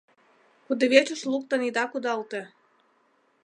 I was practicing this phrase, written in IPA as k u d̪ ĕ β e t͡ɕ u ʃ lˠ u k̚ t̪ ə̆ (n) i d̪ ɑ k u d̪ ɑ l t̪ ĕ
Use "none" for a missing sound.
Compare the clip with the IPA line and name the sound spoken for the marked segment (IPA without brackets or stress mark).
n